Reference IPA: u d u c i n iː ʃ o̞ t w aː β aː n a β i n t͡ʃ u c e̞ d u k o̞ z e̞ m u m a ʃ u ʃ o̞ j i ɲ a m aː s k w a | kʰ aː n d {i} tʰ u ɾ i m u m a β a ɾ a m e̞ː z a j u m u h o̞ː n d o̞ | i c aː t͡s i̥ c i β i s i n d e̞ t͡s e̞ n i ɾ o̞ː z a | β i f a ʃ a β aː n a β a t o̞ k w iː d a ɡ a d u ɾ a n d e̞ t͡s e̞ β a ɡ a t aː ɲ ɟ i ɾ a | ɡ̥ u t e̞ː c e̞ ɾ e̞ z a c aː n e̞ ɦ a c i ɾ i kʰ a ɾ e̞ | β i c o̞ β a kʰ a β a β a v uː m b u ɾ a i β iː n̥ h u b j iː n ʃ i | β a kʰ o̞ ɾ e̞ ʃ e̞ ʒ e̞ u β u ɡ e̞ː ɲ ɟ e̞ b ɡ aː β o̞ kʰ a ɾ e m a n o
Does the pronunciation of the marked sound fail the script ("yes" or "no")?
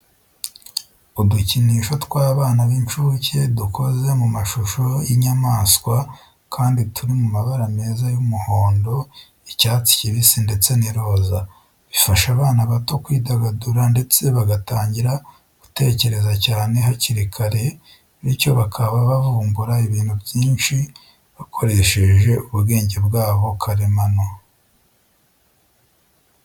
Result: no